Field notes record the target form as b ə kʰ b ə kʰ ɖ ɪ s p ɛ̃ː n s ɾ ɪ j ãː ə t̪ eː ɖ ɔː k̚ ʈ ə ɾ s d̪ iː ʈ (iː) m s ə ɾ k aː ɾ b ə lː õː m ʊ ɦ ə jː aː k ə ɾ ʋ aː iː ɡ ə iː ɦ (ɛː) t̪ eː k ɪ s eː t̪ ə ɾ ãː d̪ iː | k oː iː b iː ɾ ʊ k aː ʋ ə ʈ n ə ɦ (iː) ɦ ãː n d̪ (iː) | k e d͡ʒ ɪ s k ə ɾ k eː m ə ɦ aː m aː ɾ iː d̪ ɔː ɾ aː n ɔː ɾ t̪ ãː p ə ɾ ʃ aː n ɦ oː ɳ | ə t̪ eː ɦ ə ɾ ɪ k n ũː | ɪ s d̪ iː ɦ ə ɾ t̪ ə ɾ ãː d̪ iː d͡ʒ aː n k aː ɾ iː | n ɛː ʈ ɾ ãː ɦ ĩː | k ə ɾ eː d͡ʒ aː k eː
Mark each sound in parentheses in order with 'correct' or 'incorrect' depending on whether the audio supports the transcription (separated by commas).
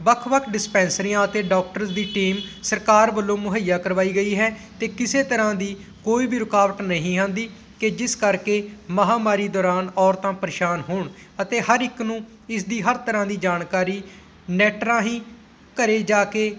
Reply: correct, correct, incorrect, correct